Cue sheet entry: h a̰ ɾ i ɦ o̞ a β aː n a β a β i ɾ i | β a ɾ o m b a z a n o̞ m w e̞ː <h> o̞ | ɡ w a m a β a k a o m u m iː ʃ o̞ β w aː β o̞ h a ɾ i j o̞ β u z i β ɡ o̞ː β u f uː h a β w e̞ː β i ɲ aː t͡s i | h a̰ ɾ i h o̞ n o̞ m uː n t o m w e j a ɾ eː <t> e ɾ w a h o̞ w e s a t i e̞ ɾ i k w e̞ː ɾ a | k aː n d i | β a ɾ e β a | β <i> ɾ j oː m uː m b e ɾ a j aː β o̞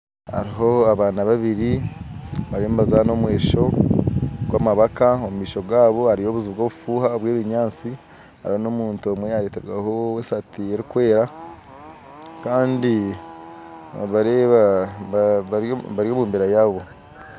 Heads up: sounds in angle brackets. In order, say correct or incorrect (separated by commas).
incorrect, correct, incorrect